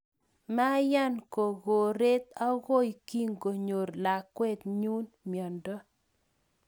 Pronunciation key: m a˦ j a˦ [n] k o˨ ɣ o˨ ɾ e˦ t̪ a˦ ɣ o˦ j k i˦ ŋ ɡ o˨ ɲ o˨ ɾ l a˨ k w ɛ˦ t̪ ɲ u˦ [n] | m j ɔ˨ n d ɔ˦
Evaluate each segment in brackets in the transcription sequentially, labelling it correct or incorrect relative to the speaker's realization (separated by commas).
correct, correct